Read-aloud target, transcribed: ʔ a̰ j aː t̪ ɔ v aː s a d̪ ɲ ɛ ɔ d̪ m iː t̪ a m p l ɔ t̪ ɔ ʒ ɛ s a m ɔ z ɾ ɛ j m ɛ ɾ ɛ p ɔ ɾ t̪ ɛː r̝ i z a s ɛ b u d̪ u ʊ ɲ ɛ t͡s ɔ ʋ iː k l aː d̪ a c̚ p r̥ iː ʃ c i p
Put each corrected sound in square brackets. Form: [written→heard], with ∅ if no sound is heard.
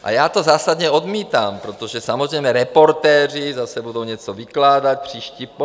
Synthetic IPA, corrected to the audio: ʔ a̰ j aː t̪ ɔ [v→z] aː s a d̪ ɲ ɛ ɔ d̪ m iː t̪ a m p [l→ɾ] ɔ t̪ ɔ ʒ ɛ s a m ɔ z ɾ ɛ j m ɛ ɾ ɛ p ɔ ɾ t̪ ɛː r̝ i z a s ɛ b u d̪ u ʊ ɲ ɛ t͡s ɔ ʋ [iː→i] k l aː d̪ a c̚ p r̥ iː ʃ c i p